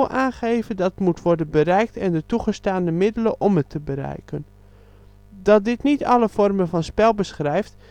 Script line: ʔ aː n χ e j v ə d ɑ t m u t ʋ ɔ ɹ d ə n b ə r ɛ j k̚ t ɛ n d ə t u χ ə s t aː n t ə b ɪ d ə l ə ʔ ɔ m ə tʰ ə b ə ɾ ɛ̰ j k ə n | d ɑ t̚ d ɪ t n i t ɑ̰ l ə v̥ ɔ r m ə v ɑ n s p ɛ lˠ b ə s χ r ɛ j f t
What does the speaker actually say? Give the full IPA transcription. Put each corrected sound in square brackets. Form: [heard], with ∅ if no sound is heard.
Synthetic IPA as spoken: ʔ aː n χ e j v ə d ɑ t m u t ʋ ɔ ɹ d ə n b ə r ɛ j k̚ t ɛ n d ə t u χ ə s t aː n [d] ə [m] ɪ d ə l ə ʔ ɔ m ə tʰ ə b ə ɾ ɛ̰ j k ə n | d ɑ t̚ d ɪ t n i t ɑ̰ l ə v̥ ɔ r m ə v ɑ n s p ɛ lˠ b ə s χ r ɛ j f t